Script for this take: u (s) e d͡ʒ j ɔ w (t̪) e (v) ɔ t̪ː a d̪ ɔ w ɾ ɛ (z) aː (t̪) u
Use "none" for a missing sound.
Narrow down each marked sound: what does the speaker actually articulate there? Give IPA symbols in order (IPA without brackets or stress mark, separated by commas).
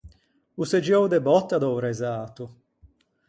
s, d̪, b, z, t̪